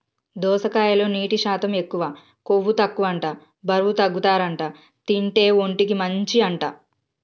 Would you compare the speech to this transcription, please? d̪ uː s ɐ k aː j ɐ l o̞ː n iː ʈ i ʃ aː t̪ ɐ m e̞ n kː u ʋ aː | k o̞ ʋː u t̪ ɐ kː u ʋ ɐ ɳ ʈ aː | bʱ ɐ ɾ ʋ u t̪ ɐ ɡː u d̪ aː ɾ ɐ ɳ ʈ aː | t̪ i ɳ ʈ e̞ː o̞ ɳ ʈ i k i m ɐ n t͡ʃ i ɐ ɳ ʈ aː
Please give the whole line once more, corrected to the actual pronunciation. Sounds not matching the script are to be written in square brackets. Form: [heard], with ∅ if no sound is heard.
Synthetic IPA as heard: d̪ [ɔː] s ɐ k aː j ɐ l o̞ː n iː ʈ i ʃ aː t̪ ɐ m e̞ [∅] kː u ʋ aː | k o̞ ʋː u t̪ ɐ kː u ʋ ɐ ɳ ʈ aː | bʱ ɐ ɾ ʋ u t̪ ɐ ɡː u [t̪] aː ɾ ɐ ɳ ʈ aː | t̪ i ɳ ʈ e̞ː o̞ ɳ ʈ i k i m ɐ [ɲ] t͡ʃ i ɐ ɳ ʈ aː